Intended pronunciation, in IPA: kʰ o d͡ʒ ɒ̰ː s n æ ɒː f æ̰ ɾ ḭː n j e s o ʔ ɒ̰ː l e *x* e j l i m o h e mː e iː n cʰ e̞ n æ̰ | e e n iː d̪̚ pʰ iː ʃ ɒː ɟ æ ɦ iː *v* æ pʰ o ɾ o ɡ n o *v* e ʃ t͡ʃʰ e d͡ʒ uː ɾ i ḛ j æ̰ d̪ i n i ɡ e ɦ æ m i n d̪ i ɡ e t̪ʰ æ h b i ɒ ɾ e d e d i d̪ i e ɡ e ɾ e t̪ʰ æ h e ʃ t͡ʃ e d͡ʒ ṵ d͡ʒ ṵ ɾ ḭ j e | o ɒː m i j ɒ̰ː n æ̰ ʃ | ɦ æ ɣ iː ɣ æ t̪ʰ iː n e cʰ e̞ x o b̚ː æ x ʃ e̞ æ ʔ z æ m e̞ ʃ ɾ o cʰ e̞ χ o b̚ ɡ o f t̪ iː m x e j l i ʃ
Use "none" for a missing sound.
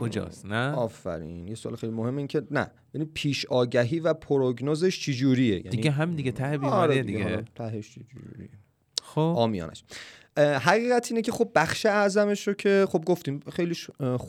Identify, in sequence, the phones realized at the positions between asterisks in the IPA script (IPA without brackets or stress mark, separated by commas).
x, v, z